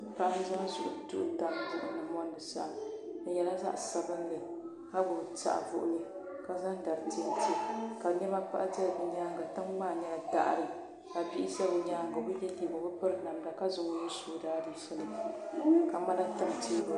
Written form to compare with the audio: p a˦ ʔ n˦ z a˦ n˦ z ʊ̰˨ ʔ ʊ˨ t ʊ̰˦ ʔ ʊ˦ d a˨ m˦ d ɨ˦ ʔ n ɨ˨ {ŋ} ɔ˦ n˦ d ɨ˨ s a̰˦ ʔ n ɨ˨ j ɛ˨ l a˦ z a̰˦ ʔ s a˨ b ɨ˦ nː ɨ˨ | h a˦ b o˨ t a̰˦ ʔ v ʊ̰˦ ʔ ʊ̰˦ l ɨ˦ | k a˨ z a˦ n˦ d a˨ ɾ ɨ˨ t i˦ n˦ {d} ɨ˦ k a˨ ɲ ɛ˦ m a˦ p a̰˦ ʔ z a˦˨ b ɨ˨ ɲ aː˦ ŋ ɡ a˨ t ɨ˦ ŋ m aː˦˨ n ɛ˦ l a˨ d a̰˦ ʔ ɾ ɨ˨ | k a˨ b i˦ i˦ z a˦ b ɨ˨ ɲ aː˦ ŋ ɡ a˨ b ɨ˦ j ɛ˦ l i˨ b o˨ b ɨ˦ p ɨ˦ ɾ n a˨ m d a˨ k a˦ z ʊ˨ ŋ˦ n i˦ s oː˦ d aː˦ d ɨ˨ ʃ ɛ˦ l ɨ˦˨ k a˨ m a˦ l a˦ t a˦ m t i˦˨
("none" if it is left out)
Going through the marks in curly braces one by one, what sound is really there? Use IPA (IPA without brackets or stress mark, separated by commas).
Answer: m, t